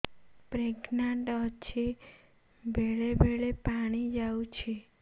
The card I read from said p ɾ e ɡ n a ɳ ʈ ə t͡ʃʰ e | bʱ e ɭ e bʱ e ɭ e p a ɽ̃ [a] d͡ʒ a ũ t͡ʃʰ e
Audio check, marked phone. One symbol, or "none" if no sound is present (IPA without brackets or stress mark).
i